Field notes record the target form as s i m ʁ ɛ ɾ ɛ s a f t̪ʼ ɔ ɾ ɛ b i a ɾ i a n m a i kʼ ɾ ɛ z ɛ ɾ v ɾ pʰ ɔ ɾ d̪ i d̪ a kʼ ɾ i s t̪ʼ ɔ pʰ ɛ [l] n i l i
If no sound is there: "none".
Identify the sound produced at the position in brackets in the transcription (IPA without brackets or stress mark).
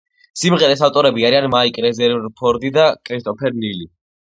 ɾ